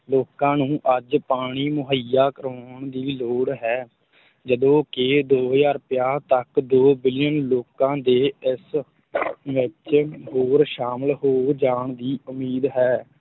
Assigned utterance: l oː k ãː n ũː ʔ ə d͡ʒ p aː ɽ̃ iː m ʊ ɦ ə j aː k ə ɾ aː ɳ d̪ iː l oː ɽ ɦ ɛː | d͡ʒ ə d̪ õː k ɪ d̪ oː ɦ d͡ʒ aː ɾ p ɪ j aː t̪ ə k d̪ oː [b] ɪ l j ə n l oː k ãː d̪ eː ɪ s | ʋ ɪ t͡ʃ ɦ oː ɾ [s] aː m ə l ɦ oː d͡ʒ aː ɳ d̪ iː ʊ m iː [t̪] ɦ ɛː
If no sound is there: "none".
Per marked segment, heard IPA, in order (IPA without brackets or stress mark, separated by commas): b, ʃ, d̪